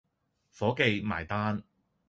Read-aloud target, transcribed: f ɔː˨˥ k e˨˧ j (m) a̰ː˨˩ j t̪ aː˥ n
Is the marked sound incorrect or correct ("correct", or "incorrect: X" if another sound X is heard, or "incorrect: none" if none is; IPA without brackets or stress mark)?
correct